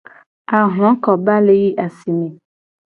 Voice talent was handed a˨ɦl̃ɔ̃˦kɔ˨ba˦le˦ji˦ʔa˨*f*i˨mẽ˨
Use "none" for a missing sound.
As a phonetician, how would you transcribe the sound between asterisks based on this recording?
s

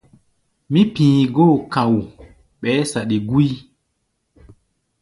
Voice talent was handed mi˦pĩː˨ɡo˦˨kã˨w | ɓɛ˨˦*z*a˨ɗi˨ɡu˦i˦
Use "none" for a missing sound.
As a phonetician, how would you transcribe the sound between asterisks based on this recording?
s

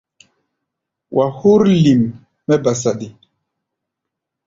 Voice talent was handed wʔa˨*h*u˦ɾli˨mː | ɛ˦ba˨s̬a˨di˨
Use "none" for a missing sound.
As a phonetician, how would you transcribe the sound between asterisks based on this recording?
h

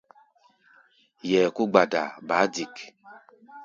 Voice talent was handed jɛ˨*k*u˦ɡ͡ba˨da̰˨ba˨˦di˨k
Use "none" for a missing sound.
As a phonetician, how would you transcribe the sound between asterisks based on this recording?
k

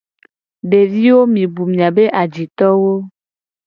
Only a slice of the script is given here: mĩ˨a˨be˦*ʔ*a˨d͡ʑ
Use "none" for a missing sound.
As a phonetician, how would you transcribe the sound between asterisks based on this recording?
ʔ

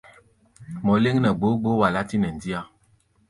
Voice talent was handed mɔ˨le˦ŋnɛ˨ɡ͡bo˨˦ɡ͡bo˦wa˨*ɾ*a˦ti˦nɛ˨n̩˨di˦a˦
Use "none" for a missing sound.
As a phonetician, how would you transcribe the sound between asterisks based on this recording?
l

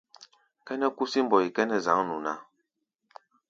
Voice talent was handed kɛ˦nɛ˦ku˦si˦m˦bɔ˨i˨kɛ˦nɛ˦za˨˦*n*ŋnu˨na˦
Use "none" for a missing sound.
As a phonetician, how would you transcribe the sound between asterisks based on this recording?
none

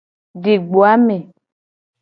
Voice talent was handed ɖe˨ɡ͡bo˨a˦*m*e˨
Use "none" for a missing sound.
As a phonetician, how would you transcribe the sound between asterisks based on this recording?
m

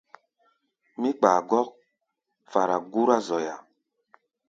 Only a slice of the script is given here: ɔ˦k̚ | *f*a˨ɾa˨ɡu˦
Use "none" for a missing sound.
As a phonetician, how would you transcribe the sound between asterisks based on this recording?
f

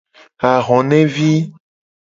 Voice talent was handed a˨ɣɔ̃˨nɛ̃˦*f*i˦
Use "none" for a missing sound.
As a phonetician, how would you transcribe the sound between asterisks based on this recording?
v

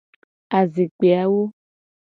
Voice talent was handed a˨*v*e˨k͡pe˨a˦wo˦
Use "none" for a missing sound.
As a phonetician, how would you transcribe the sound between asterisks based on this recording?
z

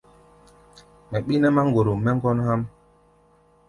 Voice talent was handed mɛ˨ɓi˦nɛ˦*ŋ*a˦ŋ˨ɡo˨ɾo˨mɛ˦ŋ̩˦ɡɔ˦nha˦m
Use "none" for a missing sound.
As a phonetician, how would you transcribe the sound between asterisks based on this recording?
m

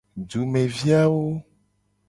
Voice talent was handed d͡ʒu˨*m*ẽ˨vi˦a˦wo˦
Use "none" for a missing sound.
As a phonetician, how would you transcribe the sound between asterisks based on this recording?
m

